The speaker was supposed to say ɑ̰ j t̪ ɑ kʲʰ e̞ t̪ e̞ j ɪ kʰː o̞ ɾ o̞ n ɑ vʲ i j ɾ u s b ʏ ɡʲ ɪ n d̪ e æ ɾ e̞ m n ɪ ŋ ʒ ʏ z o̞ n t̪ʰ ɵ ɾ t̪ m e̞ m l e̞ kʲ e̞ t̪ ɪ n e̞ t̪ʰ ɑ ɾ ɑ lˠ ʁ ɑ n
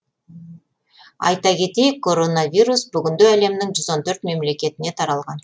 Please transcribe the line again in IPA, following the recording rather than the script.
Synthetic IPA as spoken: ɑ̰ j t̪ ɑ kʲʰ e̞ t̪ e̞ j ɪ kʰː o̞ ɾ o̞ n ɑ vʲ i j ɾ u s b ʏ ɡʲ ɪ n d̪ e æ l e̞ m n ɪ ŋ ʒ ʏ z o̞ n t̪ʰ ɵ ɾ t̪ m e̞ m l e̞ kʲ e̞ t̪ ɪ n e̞ t̪ʰ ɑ ɾ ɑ lˠ ʁ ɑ n